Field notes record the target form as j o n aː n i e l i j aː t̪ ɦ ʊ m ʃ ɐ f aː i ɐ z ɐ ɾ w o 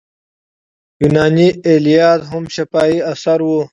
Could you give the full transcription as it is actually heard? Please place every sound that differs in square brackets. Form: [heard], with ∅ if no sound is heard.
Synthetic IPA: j [u] n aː n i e l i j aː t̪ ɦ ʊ m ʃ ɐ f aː i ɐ [s] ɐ ɾ w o

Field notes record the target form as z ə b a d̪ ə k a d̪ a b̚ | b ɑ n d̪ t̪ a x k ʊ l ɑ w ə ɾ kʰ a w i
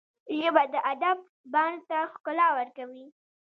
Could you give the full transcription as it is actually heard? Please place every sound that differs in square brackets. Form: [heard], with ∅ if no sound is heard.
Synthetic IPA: [ʒ] ə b a d̪ ə [ʔ] a d̪ a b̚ | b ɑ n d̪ t̪ a x k ʊ l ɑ w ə ɾ [k] a w i

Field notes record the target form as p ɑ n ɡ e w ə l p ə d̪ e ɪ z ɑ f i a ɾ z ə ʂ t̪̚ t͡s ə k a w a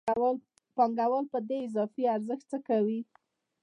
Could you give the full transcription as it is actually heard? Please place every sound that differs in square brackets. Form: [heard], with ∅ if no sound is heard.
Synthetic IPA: p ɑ [ŋ] ɡ [a] w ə l p ə d̪ e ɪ z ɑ f i a ɾ z ə [x] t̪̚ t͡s ə k a w [i]

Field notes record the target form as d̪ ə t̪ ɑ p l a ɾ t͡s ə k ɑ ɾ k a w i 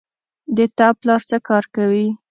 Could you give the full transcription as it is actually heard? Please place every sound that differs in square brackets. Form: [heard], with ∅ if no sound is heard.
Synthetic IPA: d̪ ə t̪ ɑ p l [ɑ] ɾ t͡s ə k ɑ ɾ k a w i

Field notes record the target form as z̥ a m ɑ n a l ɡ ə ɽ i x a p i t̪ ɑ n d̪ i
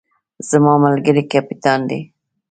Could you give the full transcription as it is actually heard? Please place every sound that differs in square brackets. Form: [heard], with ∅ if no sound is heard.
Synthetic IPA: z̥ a m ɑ [m] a l ɡ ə [ɾ] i [k] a p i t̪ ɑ n d̪ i

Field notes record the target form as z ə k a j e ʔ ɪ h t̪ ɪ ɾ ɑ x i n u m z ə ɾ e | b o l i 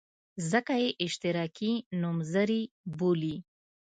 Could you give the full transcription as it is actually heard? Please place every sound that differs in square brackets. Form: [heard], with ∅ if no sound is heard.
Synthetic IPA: z ə k a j e ʔ ɪ [ʃ] t̪ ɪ ɾ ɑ [k] i n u m z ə ɾ [i] | b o l i

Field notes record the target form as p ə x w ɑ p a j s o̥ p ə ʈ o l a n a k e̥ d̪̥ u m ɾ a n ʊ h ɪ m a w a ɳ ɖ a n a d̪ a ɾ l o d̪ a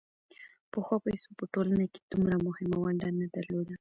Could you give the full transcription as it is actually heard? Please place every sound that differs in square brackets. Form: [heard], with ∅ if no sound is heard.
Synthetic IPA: p ə x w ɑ p a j s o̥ p ə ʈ o l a n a k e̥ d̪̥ u m ɾ a [m] ʊ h ɪ m a w a ɳ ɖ a n a d̪ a ɾ l o d̪ a

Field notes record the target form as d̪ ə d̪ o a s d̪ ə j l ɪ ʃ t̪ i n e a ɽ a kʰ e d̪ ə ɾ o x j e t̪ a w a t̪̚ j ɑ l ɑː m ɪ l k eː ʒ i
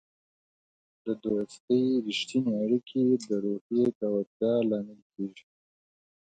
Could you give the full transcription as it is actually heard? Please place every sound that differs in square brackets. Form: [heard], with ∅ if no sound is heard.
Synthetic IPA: d̪ ə d̪ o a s [t̪] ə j [ɾ] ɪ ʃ t̪ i n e a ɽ [i] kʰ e d̪ ə ɾ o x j e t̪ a w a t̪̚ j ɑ l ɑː m ɪ l k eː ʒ i

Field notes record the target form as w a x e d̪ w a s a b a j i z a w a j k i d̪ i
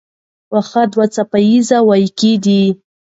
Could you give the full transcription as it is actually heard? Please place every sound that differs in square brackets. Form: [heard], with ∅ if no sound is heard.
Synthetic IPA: w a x [a] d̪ w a [t͡s] a [p] a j i z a w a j k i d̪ i

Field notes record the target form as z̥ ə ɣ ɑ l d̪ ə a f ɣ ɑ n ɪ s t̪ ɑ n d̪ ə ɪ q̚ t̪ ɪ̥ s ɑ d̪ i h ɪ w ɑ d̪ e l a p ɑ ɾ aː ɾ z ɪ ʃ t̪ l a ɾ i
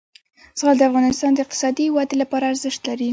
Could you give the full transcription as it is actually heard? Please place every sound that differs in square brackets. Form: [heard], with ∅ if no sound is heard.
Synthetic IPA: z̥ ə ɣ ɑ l d̪ ə a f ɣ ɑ n ɪ s t̪ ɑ n d̪ ə ɪ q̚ t̪ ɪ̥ s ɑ d̪ i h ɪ w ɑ d̪ e l a p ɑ ɾ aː ɾ z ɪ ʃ t̪ l a ɾ i

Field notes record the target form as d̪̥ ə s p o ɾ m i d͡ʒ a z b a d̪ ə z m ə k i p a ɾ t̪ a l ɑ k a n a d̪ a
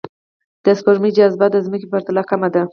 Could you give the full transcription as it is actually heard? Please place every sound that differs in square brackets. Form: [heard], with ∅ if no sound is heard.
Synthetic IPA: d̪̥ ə s p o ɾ m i d͡ʒ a z b a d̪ ə z m ə k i p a ɾ t̪ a l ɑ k a [m] a d̪ a

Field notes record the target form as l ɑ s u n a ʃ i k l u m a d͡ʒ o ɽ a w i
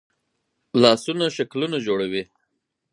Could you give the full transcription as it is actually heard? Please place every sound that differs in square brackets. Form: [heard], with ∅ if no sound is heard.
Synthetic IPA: l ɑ s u n a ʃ [a] k l u [n] a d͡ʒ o ɽ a w i

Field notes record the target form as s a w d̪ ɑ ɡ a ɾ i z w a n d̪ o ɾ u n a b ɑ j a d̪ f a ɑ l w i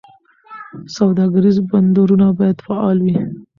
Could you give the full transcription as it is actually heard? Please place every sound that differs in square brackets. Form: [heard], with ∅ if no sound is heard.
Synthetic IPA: s a w d̪ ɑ ɡ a ɾ i z [b] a n d̪ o ɾ u n a b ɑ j a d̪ f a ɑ l w i

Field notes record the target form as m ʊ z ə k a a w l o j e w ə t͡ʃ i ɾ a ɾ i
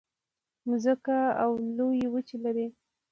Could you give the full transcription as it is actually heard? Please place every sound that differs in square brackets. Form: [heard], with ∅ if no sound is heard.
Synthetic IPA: m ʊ z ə k a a w l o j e w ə t͡ʃ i [l] a ɾ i

